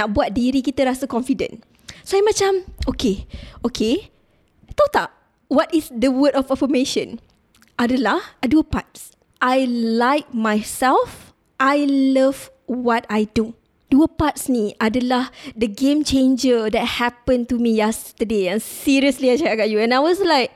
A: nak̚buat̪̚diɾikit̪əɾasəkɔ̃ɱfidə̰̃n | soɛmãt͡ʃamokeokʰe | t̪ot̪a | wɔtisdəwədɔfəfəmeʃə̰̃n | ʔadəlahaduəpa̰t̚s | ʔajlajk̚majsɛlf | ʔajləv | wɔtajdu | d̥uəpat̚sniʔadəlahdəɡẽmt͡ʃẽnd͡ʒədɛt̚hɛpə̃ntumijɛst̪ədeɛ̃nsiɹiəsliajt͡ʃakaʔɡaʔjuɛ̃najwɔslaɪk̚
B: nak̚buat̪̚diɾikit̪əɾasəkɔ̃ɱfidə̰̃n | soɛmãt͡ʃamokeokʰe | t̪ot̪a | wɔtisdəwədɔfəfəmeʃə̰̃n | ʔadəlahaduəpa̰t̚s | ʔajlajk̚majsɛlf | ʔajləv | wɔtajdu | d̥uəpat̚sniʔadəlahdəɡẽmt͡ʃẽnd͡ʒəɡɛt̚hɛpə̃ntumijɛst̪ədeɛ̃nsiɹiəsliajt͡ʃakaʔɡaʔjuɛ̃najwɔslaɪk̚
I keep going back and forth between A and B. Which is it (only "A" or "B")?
A